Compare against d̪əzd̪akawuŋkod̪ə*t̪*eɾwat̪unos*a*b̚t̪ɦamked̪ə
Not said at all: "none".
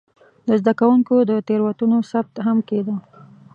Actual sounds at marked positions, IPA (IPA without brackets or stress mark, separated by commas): t̪, a